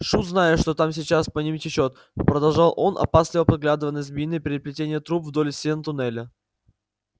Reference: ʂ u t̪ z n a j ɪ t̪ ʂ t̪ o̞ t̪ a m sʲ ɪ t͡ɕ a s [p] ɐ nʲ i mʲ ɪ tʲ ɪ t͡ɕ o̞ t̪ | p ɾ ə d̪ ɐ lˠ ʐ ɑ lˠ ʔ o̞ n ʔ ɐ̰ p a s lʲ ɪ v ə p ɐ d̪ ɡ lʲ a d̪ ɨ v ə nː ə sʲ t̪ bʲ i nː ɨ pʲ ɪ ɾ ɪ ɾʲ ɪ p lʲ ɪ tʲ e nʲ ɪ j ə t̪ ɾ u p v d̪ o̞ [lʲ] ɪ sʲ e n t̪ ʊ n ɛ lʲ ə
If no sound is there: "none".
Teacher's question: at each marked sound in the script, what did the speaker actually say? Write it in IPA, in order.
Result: p, lʲ

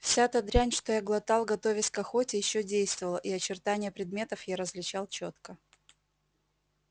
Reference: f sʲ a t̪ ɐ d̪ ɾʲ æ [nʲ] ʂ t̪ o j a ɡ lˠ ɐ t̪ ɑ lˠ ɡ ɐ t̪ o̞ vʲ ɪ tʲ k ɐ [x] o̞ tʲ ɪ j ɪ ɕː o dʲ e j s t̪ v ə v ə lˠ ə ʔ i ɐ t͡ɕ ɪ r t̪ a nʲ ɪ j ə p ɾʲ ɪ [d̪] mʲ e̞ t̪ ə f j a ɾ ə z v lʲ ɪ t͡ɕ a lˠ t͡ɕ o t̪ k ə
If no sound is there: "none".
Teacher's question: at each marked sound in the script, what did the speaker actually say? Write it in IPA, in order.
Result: nʲ, x, d̪

